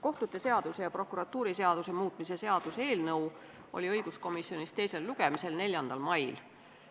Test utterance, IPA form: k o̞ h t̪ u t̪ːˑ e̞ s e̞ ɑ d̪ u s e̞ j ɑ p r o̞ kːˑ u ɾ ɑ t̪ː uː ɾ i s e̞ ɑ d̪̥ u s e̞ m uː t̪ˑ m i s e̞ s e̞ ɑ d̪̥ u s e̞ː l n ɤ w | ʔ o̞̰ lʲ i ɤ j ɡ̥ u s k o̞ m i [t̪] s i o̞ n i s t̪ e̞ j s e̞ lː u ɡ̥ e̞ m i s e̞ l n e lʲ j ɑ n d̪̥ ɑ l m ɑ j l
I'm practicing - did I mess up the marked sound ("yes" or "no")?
yes